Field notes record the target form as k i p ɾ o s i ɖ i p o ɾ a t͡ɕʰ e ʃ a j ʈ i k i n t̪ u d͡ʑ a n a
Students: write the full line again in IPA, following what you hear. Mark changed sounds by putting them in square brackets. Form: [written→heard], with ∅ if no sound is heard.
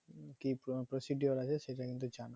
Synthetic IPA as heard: k i p ɾ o s i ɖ i [p→∅] o ɾ a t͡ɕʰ e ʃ [a→e] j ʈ [i→a] k i n t̪ u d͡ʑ a n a